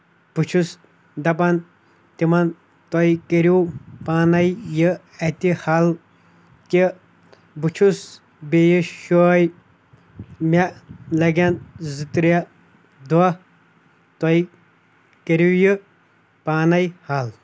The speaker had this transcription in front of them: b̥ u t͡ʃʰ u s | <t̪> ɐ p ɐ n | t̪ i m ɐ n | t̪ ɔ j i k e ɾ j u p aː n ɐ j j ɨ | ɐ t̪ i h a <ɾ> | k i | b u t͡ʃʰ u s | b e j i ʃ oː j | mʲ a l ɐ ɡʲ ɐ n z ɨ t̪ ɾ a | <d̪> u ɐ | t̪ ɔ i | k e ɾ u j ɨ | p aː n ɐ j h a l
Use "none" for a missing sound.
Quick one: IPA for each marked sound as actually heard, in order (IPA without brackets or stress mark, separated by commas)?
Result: d̪, l, d̪